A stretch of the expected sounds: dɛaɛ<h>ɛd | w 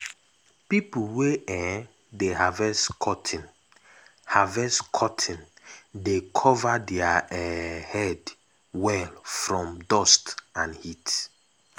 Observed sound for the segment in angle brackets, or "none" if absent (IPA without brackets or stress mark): h